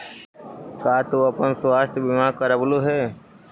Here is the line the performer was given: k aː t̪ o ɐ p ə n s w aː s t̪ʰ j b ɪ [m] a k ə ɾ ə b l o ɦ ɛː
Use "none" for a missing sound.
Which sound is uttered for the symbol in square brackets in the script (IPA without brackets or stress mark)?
m